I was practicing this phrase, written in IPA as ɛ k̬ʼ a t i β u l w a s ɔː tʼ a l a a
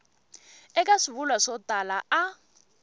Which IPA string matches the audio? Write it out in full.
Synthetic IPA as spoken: ɛ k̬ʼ a s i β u l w a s ɔ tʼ a l a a